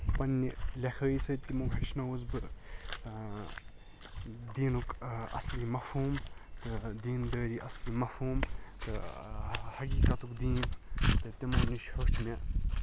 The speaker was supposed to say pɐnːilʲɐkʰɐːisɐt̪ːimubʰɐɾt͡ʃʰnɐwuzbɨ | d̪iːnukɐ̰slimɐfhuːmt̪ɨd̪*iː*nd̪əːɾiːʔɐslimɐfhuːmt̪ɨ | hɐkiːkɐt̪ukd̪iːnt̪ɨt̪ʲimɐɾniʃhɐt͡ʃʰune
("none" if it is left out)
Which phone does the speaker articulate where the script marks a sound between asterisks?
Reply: iː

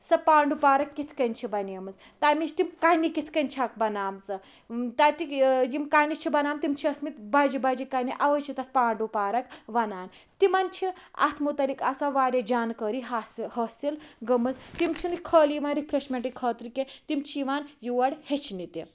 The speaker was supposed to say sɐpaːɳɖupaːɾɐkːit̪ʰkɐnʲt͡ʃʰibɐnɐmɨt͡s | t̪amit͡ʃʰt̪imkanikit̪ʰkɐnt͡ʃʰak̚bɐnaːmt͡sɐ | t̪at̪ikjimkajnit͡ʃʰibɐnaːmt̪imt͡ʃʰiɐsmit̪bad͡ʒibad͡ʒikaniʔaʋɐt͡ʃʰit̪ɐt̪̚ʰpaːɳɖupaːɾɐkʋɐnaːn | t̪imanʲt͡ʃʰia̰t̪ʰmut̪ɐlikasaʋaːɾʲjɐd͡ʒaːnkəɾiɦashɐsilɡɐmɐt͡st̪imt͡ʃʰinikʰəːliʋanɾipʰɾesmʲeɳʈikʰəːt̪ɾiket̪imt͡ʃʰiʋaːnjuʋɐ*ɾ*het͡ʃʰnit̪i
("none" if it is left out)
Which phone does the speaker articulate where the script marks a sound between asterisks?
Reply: ɽ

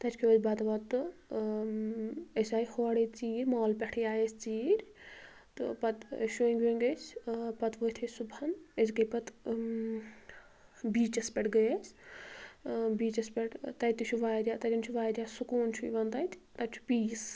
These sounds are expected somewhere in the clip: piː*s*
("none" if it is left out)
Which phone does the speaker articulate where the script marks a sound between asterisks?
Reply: s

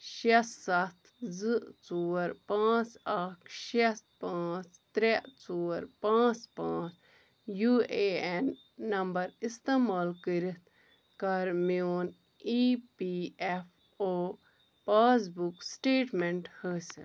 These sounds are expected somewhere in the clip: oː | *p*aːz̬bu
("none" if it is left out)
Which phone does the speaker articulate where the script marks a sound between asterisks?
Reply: p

